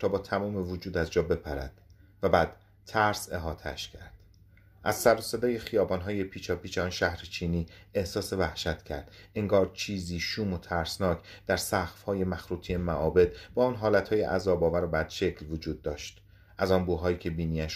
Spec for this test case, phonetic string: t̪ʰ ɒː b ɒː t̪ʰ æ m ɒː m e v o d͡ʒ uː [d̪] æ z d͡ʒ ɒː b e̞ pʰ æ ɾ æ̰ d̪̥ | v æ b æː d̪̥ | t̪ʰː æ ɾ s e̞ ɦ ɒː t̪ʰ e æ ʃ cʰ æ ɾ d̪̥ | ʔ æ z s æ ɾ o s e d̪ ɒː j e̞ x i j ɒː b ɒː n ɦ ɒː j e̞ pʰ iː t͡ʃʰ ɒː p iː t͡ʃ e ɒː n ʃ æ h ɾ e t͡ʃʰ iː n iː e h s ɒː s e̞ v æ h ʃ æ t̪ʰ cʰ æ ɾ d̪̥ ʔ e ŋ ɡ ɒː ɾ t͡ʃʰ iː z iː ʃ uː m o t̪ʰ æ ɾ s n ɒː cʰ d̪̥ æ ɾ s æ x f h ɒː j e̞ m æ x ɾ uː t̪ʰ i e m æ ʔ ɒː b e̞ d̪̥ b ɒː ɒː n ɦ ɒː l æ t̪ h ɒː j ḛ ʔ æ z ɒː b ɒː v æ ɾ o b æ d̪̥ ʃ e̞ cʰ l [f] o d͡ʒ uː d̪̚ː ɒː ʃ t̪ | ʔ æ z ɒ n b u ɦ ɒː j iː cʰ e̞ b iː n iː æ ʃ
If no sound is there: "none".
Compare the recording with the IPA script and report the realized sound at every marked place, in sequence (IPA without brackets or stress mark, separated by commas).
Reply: d̪, v